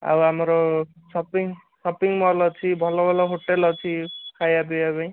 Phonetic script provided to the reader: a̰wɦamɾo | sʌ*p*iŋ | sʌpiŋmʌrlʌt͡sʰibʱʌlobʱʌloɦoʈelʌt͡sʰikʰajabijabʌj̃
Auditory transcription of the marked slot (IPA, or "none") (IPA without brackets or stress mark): p